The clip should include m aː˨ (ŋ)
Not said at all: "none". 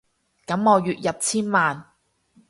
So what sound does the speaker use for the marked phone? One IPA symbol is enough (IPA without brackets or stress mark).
n